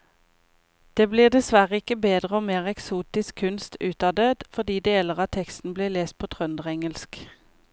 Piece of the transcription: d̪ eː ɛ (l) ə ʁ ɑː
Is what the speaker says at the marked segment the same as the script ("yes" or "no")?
yes